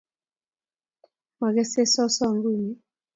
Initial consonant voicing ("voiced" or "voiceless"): voiced